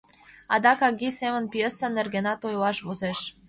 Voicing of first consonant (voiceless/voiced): voiced